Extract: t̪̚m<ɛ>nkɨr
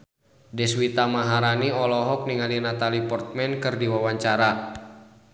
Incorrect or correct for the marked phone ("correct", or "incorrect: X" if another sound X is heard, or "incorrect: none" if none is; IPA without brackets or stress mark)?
correct